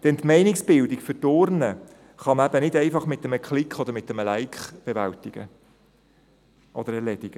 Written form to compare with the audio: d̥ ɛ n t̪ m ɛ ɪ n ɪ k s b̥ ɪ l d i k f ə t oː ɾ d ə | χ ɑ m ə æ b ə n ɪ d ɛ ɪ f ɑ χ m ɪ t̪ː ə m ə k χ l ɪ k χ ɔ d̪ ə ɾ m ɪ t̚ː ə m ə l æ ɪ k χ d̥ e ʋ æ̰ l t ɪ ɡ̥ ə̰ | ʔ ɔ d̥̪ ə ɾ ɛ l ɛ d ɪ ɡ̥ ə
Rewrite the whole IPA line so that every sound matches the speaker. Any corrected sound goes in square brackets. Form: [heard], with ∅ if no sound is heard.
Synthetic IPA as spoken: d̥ ɛ n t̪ m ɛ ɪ n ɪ k s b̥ ɪ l d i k f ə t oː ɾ [n] ə | χ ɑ m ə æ b ə n ɪ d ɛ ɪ f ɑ χ m ɪ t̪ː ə m ə k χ l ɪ k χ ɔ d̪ ə ɾ m ɪ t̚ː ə m ə l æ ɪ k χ [b̥] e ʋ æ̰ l t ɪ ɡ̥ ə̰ | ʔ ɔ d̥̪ ə ɾ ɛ l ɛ d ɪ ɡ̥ ə